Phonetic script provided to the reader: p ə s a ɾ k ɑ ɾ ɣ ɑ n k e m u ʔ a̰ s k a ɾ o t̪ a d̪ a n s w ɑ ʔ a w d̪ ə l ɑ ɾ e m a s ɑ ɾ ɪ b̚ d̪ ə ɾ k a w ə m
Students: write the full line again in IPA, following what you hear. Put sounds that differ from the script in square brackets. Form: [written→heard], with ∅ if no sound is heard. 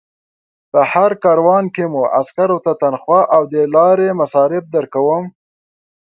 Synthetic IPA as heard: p ə [s→h] a ɾ k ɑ ɾ [ɣ→w] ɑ n k e m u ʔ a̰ s k a ɾ o t̪ a [d̪→t̪] a n [s→x] w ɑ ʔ a w d̪ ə l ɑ ɾ e m a s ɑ ɾ ɪ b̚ d̪ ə ɾ k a w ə m